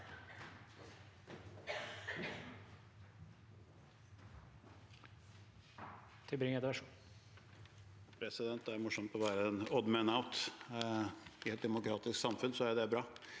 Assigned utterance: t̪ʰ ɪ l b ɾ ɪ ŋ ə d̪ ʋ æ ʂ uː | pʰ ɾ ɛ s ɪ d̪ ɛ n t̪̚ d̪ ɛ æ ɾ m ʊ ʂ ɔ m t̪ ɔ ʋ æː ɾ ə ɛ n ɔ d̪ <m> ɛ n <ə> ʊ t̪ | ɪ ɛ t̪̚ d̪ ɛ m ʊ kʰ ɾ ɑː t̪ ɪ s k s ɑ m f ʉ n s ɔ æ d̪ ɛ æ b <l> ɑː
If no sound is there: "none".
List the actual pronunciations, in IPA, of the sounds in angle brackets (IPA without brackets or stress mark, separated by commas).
m, a, ɾ